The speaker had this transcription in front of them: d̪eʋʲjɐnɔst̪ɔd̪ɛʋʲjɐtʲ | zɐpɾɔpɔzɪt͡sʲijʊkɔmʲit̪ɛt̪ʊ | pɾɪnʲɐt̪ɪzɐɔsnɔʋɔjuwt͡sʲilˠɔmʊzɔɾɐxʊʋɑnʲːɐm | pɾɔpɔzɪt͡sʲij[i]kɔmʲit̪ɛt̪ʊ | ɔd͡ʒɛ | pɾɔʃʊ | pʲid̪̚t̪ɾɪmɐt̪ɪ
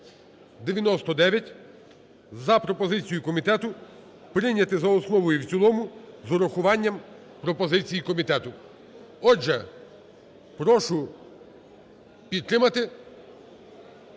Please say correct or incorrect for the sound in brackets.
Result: correct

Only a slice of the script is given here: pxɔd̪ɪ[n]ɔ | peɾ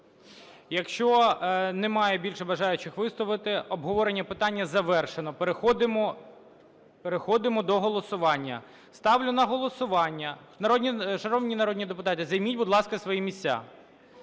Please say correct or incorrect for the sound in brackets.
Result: incorrect: m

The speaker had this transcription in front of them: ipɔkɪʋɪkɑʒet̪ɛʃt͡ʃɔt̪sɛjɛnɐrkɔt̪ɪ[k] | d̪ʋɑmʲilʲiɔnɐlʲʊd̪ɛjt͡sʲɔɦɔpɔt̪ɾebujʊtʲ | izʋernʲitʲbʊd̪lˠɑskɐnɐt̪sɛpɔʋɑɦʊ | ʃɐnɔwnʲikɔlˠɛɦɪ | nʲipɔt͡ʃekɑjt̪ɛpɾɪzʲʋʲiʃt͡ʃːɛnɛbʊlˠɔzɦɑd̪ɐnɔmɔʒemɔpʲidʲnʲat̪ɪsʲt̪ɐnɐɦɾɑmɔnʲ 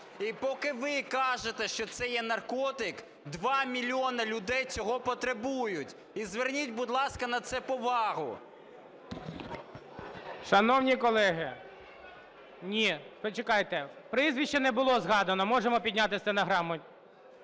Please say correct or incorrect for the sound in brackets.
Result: correct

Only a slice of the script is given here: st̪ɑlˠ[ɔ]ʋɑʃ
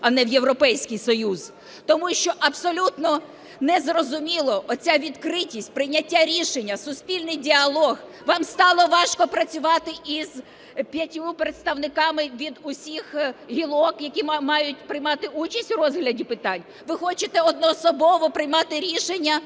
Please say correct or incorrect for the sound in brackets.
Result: correct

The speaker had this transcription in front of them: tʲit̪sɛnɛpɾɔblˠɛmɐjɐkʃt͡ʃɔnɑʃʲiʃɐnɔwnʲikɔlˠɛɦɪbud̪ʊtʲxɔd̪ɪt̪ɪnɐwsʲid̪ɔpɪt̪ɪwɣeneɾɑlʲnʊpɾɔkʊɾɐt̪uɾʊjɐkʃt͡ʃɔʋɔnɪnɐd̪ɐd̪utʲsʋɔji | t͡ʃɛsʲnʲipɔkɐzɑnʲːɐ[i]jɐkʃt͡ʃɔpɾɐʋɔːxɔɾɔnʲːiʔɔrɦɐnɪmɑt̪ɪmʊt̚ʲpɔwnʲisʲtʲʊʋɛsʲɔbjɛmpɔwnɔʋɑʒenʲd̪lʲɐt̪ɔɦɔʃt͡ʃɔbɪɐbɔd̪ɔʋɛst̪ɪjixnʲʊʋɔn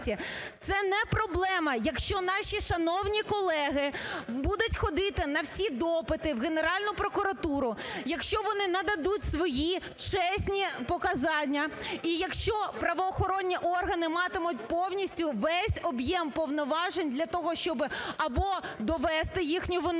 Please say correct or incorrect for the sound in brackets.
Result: correct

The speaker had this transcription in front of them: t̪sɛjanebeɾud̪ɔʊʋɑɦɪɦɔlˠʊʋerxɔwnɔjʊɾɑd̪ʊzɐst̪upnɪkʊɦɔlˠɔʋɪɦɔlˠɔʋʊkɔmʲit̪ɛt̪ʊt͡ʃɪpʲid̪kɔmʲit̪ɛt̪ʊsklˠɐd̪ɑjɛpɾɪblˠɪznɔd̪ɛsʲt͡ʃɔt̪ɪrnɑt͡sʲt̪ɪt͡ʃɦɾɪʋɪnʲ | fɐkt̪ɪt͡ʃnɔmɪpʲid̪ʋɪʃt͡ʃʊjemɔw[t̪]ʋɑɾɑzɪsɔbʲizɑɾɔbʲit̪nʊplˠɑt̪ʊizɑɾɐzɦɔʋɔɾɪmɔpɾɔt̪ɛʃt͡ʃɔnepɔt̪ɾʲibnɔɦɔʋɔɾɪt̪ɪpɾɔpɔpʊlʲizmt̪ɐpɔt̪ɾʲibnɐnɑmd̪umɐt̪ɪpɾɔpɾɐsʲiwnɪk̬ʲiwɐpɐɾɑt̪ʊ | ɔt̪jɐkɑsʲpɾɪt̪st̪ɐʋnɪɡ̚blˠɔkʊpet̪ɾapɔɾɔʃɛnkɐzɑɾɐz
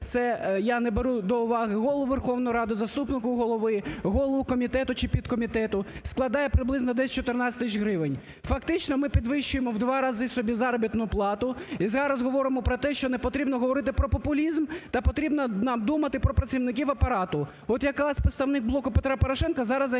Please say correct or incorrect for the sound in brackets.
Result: incorrect: d̪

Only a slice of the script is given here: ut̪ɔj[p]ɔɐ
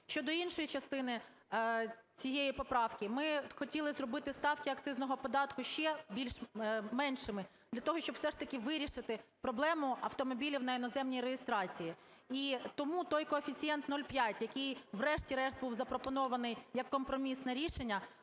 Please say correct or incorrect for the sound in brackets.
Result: incorrect: k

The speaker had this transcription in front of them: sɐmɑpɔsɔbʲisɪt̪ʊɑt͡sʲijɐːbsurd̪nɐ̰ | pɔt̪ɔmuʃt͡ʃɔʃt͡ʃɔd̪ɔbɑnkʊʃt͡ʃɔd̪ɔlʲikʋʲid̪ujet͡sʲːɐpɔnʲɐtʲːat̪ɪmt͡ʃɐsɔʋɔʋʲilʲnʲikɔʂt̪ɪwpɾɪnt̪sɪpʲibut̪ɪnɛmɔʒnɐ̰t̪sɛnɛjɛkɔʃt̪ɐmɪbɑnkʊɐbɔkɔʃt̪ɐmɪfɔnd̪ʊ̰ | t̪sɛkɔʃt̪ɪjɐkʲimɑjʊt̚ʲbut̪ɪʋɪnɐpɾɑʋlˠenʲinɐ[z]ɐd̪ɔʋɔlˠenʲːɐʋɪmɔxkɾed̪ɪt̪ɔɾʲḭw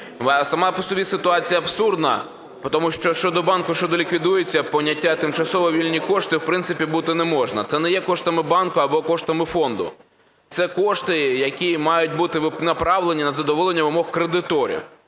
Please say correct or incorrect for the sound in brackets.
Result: correct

